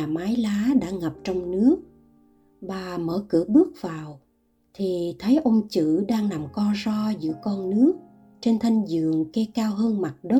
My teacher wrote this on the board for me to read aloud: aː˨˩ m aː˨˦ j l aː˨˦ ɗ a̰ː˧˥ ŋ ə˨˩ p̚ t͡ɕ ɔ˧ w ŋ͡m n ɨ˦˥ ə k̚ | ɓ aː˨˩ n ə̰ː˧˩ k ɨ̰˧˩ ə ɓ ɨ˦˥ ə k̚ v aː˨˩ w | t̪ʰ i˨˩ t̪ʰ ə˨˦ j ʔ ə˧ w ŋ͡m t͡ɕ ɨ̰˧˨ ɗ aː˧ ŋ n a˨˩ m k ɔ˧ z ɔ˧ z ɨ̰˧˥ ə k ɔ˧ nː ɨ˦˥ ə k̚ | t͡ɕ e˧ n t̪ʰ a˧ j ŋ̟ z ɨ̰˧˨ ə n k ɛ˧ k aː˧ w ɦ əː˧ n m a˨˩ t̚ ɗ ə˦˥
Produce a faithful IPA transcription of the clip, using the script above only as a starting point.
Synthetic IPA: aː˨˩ m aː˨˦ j l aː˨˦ ɗ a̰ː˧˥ ŋ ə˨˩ p̚ t͡ɕ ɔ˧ w ŋ͡m n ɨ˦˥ ə k̚ | ɓ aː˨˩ m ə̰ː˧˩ k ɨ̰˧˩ ə ɓ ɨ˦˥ ə k̚ v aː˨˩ w | t̪ʰ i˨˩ t̪ʰ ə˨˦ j ʔ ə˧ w ŋ͡m t͡ɕ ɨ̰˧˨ ɗ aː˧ ŋ n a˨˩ m k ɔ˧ z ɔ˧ z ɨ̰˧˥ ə k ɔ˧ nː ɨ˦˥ ə k̚ | t͡ɕ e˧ n t̪ʰ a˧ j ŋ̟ z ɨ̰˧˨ ə ŋ k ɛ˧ k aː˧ w ɦ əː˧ n m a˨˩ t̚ ɗ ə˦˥